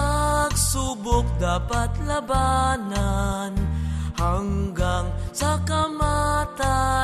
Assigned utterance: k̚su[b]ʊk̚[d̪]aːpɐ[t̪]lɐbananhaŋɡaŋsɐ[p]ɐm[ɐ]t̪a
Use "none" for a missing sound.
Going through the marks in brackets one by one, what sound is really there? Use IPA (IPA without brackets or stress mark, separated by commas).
b, d̪, t̪, k, a